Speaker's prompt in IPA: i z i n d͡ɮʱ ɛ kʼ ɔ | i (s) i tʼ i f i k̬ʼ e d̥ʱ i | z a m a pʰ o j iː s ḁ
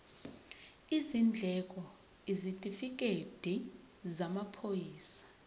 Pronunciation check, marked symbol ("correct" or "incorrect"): incorrect